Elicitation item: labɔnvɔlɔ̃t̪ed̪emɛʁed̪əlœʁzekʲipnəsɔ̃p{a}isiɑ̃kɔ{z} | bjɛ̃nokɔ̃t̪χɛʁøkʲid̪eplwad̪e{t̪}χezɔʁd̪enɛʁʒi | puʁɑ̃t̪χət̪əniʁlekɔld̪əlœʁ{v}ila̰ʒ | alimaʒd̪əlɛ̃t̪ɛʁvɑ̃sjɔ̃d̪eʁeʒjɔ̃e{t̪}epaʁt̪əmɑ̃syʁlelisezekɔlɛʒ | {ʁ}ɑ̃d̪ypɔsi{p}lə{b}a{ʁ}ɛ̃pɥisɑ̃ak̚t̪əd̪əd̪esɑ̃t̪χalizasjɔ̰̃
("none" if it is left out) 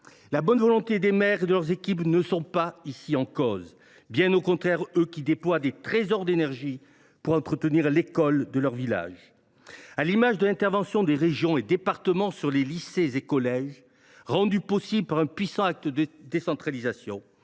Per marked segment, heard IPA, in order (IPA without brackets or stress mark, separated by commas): a, z, t̪, v, d̪, ʁ, b, p, ʁ